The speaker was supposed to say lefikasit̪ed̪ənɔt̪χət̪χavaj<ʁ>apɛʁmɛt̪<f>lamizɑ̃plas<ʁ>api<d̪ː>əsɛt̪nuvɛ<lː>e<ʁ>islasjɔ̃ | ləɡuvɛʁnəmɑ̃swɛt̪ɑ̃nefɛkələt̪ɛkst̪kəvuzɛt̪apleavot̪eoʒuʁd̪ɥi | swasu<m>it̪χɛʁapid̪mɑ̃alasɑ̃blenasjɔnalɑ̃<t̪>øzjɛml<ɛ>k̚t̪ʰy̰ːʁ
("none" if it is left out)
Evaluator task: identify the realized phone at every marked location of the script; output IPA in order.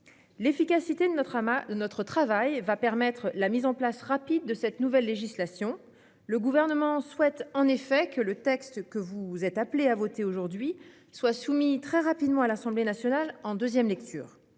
v, χ, ʁ, d̪ː, lː, ʒ, m, d̪, ɛ

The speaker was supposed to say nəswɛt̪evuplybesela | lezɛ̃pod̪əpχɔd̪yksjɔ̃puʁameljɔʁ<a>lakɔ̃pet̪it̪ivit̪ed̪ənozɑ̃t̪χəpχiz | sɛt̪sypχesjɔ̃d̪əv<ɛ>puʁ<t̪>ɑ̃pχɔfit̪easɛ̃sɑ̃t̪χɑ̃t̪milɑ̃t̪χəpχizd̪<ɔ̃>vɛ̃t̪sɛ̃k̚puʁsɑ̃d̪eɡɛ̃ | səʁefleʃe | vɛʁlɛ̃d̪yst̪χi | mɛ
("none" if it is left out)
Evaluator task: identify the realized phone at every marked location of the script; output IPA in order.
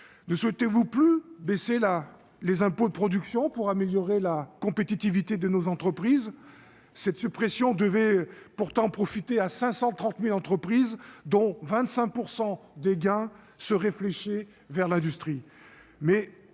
e, ɛ, t̪, ɔ̃

